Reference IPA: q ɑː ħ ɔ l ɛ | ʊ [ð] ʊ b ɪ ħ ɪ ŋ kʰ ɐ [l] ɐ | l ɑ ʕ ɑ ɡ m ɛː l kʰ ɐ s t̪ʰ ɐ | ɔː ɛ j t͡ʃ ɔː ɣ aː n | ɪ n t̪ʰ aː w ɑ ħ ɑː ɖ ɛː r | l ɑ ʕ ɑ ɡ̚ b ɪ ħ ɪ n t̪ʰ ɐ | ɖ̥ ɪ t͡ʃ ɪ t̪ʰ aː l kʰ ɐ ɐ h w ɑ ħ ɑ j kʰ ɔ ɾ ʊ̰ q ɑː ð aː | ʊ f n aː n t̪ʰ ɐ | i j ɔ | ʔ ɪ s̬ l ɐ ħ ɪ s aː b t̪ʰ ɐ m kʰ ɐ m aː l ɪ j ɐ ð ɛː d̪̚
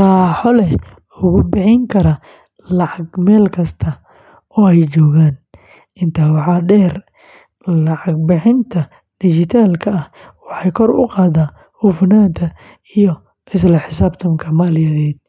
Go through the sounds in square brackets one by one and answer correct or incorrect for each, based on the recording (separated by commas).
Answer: incorrect, incorrect